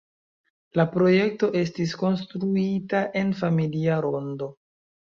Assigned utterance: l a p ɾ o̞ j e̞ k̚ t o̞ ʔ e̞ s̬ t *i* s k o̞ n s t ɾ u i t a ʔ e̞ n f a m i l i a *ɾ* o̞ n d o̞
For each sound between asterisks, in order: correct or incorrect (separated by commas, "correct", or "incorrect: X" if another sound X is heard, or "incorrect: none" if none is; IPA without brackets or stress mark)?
correct, correct